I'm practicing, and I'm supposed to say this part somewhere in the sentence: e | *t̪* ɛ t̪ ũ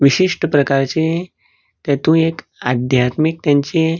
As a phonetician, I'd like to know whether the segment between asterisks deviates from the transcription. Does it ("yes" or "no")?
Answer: no